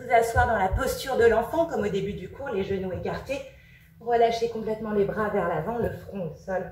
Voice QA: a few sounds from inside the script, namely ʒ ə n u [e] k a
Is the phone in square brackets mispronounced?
no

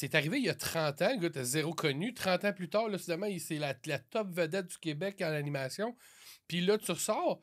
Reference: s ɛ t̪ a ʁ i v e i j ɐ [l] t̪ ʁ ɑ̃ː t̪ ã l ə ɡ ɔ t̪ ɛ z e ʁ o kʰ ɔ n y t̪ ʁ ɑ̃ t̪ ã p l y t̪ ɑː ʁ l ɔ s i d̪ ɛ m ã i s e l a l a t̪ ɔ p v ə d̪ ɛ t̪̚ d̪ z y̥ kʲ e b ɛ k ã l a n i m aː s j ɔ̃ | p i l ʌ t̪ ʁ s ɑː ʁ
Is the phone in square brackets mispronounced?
yes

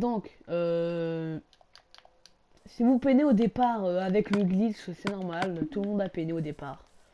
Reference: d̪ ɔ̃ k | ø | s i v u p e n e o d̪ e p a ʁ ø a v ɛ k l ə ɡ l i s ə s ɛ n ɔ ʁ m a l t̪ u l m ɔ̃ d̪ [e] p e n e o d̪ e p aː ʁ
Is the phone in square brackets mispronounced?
yes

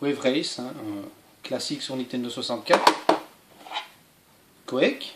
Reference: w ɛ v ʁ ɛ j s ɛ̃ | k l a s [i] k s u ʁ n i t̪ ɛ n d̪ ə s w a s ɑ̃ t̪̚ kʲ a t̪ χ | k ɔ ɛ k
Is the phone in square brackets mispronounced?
no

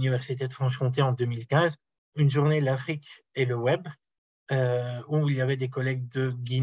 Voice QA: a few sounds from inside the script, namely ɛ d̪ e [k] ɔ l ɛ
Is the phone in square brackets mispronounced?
no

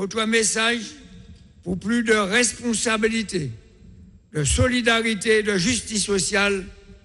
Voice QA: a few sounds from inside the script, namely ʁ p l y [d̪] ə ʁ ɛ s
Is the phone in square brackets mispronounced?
no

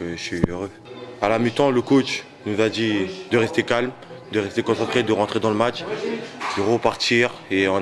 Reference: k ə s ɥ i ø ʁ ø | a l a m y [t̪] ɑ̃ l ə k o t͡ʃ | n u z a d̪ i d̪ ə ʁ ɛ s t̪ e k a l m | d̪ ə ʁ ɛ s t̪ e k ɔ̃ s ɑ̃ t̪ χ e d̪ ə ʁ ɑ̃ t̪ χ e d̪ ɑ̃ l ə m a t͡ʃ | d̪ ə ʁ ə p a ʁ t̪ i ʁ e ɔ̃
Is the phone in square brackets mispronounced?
no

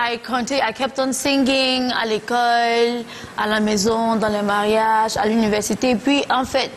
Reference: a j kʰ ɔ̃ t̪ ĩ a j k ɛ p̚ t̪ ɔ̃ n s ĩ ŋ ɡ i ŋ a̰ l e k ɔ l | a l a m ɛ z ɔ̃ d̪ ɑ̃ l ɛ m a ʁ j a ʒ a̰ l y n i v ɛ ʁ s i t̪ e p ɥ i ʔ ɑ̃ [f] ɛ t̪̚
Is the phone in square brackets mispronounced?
no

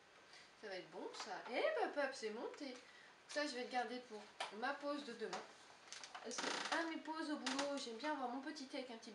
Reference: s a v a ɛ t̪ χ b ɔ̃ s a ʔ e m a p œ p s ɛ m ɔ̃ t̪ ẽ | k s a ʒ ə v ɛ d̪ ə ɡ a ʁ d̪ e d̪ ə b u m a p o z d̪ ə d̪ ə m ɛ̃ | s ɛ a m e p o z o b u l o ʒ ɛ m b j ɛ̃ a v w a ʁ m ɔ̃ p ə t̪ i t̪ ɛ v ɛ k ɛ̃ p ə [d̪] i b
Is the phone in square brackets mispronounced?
yes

